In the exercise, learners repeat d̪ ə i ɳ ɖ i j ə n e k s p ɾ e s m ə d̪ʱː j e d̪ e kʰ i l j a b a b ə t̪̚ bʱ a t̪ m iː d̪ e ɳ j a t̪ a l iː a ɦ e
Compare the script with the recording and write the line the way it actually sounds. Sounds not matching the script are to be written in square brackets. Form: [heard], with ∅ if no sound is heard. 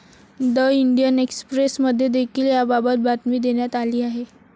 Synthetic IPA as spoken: d̪ ə i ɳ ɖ i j ə n e k s p ɾ e s m ə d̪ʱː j e d̪ e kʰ [iː] l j a b a b ə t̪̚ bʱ a t̪ m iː d̪ e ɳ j a t̪ a l iː a ɦ e